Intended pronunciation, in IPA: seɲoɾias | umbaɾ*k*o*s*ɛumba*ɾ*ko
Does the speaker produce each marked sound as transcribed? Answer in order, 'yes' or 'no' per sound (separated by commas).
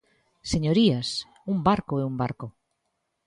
yes, no, yes